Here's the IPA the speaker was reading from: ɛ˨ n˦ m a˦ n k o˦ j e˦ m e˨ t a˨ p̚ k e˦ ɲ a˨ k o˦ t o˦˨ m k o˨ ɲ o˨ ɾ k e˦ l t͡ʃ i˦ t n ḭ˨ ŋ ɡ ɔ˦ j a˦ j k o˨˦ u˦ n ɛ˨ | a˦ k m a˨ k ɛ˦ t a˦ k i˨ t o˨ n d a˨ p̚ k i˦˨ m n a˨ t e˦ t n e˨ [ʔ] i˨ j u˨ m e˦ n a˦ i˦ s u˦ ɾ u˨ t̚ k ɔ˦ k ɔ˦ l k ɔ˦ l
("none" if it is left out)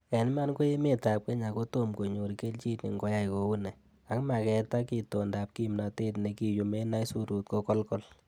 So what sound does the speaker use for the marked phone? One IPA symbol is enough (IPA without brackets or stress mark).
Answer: k